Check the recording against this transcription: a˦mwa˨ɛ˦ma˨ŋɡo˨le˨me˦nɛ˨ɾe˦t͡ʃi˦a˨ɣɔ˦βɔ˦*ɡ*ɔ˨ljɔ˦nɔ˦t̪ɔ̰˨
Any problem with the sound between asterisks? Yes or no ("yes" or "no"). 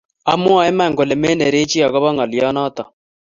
yes